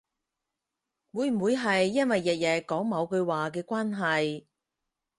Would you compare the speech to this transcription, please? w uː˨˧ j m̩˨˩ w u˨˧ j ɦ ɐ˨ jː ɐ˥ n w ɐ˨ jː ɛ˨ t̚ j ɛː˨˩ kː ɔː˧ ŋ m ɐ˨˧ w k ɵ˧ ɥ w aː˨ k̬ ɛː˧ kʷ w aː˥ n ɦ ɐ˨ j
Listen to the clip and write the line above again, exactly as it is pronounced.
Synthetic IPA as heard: w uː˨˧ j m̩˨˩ w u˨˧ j ɦ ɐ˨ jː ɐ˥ n w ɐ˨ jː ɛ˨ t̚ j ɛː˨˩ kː ɔː˨˥ ŋ m ɐ˨˧ w k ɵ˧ ɥ w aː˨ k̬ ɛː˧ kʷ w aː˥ n ɦ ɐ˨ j